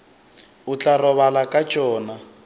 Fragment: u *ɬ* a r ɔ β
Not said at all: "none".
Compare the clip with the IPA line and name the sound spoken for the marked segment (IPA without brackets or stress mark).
t͡ɬ